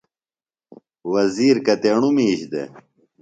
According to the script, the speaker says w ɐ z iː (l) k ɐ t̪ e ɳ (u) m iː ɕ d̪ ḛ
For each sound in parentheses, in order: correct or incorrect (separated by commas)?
incorrect, correct